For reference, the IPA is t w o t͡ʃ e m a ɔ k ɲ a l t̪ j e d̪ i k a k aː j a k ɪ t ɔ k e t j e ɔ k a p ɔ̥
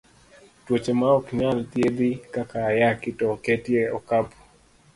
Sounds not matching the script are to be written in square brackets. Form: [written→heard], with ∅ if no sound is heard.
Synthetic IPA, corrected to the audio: t w o t͡ʃ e m a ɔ k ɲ a l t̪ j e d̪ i k a k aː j a k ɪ t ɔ k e t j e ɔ k a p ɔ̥